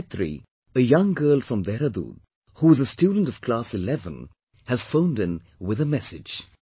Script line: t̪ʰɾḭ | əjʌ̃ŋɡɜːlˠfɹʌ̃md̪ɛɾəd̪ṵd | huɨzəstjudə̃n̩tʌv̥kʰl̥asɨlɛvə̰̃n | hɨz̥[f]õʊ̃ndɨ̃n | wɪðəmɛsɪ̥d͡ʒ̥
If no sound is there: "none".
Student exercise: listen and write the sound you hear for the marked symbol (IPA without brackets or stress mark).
f